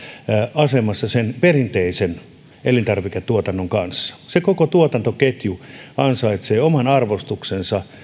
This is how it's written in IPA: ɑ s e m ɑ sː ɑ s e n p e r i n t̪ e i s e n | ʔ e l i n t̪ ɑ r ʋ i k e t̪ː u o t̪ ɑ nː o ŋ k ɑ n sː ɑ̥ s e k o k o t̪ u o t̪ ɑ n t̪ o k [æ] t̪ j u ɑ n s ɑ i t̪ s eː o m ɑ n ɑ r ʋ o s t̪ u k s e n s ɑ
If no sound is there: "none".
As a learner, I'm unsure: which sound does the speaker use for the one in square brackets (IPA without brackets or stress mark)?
e